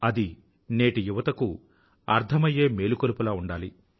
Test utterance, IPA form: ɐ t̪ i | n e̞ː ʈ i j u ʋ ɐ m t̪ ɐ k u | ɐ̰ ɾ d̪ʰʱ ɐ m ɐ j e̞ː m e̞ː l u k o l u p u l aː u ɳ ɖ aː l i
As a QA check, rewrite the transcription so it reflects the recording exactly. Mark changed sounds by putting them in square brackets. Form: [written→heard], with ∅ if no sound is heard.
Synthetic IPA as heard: ɐ [t̪→d̪] i | n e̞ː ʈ i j u ʋ ɐ [m→∅] t̪ ɐ k u | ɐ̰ ɾ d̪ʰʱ ɐ m ɐ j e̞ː m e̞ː l u k o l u p u l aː u ɳ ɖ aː l i